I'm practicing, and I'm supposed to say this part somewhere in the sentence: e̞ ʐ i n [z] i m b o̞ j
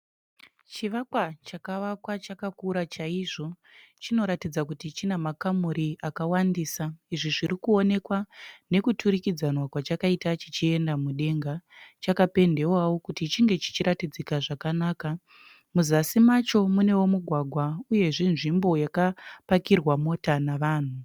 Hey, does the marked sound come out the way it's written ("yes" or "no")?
no